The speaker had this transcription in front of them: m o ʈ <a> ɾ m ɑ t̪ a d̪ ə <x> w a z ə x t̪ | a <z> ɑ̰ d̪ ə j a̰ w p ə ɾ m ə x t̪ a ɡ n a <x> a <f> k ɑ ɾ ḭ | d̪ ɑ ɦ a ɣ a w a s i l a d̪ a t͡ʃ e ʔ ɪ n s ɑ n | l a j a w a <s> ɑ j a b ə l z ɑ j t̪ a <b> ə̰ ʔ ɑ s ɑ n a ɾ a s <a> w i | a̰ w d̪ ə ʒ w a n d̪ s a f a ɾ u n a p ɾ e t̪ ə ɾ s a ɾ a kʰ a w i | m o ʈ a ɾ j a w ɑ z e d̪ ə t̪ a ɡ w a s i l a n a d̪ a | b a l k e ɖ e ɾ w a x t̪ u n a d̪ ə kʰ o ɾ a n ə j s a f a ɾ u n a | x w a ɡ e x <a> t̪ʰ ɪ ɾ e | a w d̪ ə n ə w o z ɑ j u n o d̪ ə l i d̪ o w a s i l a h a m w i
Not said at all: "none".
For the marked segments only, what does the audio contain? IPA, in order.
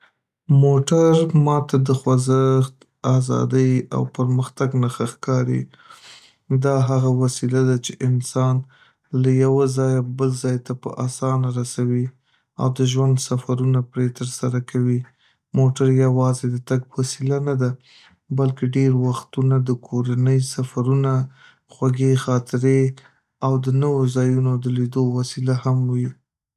a, x, z, x, x, z, p, a, ɑ

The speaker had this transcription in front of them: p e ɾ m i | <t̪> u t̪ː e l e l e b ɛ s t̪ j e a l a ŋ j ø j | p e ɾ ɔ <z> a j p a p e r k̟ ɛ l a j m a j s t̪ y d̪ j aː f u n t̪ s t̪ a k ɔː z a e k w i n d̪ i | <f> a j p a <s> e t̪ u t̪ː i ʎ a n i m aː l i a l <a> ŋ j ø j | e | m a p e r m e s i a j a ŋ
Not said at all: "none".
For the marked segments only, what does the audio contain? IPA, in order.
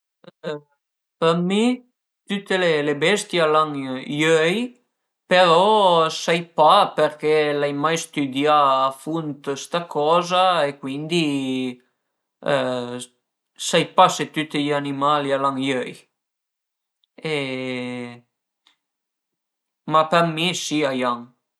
t̪, s, s, s, a

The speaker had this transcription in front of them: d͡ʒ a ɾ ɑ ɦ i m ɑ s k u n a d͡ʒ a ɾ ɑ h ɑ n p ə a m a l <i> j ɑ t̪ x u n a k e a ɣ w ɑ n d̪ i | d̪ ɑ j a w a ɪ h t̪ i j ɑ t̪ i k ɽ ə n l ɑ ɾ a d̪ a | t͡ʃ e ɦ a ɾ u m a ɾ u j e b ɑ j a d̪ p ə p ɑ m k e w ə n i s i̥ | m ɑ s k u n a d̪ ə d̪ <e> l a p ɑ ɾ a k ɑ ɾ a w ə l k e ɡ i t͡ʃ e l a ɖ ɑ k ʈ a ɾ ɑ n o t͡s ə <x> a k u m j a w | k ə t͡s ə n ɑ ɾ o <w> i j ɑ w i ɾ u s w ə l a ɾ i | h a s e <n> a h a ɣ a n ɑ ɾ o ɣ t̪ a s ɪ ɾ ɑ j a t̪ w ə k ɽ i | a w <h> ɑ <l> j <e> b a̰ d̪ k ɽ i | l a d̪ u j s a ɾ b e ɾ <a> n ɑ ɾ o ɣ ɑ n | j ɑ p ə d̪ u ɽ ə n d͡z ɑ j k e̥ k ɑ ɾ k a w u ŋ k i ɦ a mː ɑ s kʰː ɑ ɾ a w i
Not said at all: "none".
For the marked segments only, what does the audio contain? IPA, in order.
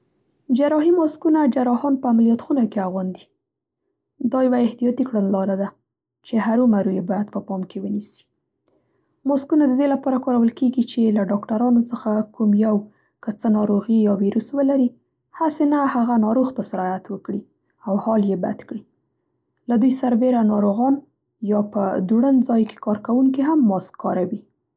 i, e, x, ɣ, n, h, l, e, a

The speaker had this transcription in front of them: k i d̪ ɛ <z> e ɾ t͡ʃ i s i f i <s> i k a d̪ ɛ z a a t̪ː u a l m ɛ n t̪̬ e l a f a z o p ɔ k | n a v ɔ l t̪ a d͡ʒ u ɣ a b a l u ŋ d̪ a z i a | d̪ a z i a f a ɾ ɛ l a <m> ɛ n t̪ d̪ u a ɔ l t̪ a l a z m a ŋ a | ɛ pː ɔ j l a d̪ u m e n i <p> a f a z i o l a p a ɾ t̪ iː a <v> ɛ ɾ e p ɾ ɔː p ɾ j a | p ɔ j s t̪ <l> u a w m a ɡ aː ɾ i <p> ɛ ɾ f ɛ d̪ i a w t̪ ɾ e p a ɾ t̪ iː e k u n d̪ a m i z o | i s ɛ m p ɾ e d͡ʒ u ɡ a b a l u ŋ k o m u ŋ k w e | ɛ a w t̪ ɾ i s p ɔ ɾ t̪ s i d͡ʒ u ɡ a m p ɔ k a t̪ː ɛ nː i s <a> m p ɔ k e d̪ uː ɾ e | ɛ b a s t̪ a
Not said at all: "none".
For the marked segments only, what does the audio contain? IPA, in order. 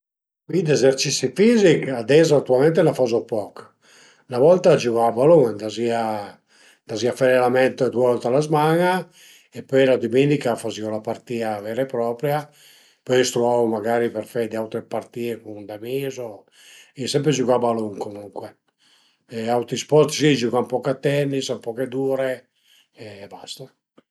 z, z, m, k, v, ɾ, p, a

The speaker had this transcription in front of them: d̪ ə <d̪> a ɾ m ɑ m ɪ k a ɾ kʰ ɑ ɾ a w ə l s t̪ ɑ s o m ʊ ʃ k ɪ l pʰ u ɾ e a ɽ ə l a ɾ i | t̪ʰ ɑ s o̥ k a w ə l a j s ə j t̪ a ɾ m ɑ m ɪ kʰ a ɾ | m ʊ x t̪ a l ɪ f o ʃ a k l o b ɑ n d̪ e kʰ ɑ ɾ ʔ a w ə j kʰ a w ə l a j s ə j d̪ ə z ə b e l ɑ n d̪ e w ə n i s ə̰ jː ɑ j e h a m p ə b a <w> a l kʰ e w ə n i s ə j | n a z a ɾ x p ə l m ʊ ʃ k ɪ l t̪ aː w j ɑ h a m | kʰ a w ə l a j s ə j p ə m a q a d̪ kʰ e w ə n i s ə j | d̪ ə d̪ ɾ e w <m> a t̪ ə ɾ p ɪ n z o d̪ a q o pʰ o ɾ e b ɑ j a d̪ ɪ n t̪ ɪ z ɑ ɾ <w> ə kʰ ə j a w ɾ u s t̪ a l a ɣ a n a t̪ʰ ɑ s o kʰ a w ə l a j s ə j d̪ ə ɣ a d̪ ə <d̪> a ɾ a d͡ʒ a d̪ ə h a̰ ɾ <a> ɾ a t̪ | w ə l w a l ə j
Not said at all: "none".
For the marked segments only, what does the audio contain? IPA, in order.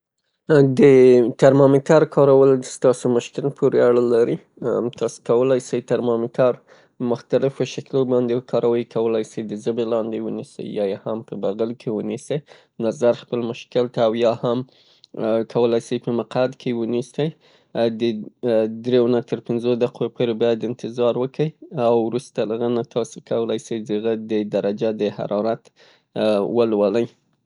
t̪, ɣ, n, w, d̪, ɑ

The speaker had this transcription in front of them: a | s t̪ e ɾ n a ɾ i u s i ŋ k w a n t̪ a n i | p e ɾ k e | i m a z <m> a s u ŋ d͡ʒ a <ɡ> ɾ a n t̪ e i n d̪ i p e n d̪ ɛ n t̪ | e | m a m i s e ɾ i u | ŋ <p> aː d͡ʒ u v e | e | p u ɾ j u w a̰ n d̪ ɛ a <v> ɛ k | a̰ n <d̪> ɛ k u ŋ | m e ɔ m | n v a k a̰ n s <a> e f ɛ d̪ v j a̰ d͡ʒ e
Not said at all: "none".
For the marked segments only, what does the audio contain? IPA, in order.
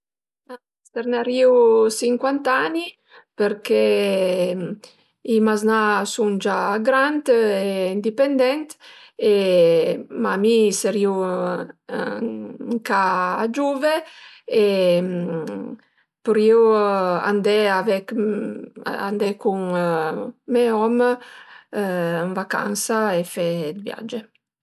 n, ɡ, k, v, d̪, a

